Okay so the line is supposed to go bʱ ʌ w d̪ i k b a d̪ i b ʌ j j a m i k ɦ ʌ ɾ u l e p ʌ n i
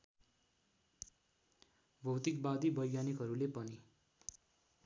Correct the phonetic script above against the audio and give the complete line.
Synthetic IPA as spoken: bʱ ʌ w t̪ i k b a d̪ i b ʌ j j a n i k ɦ ʌ ɾ u l e p ʌ n i